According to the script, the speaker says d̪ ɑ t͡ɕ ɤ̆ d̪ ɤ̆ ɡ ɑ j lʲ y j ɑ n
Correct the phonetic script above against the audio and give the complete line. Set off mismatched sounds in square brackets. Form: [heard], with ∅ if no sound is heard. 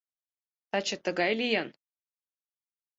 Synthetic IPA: [t̪] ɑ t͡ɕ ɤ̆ [t̪] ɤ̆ ɡ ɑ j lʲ [i] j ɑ n